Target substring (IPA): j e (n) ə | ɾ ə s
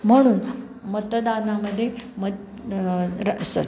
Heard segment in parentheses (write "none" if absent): m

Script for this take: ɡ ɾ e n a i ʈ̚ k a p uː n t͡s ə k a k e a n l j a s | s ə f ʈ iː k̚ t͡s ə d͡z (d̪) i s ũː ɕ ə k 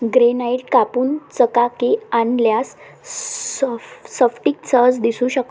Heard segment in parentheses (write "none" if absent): d̪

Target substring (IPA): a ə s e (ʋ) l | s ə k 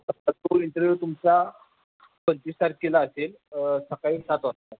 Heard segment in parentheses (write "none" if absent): none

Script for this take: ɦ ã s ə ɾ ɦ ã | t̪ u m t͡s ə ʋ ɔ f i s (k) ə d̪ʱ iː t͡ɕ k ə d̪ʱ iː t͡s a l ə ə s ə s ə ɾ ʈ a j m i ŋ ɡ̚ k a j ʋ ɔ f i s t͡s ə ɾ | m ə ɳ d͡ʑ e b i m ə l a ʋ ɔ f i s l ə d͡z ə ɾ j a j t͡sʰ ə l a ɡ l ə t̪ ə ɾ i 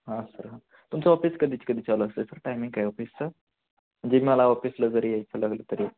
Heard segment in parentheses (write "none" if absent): k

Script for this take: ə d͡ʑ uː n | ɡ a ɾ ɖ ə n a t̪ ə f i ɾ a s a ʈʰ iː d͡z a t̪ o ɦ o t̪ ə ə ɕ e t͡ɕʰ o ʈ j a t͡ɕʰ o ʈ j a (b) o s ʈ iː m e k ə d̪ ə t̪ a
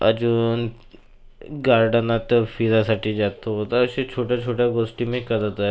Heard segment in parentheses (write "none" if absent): ɡ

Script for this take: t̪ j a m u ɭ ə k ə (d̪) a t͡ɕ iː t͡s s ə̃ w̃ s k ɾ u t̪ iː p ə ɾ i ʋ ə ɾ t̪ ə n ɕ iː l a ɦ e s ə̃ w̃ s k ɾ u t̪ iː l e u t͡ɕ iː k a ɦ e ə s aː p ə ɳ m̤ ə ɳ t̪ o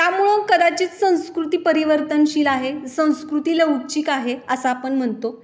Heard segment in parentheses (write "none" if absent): d̪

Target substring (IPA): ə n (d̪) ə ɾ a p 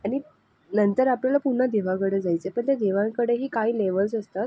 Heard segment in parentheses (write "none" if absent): t̪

